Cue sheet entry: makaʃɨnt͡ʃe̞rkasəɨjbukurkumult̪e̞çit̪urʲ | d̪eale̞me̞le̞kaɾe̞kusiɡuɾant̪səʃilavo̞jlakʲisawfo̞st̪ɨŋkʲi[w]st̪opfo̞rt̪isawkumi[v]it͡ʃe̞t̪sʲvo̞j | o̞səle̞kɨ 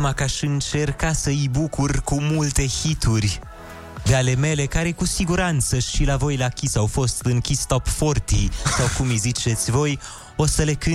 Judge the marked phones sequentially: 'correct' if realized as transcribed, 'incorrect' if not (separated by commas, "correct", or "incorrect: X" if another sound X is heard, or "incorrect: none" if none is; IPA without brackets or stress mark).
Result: incorrect: none, incorrect: z